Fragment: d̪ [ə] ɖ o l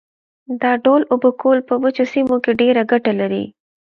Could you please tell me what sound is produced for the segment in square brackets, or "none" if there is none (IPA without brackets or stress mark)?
ɑ